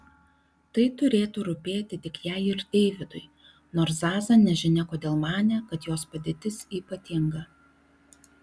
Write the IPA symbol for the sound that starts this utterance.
t̪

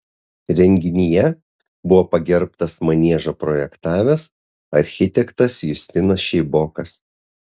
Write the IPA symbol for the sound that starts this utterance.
ɾʲ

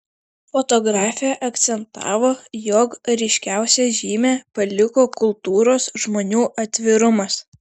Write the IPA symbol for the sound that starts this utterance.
f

